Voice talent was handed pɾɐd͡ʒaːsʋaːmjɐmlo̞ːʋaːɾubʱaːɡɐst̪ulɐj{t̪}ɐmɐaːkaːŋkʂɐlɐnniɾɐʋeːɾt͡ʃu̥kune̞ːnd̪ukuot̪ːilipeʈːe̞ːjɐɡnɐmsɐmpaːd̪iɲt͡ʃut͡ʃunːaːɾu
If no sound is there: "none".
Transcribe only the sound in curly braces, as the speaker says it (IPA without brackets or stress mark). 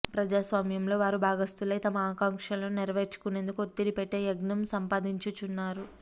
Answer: t̪